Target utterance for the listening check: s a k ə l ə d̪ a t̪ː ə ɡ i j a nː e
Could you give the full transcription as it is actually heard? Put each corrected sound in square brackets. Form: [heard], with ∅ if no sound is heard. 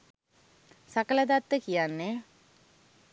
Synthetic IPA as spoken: s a k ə l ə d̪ a t̪ː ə [k] i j a nː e